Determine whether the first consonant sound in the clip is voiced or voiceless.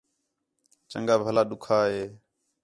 voiceless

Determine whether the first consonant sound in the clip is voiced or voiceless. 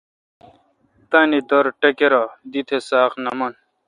voiceless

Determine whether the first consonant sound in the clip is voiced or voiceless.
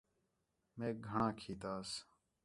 voiced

